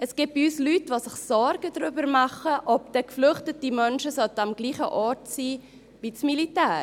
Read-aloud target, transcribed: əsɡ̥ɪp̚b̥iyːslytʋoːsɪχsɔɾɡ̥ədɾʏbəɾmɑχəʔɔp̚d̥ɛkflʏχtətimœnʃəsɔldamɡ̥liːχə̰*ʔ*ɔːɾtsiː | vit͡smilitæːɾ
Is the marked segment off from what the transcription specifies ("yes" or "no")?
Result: no